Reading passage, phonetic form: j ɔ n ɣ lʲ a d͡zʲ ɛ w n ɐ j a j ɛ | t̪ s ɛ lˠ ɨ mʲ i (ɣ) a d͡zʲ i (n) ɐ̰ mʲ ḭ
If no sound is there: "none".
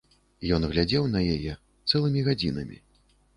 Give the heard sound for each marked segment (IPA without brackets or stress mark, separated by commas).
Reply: ɣ, n